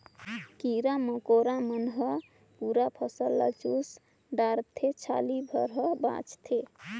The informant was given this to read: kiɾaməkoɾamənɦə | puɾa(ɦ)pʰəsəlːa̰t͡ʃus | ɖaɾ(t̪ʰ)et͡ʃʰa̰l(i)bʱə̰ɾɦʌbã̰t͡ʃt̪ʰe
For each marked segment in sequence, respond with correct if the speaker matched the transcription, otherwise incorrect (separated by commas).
incorrect, correct, correct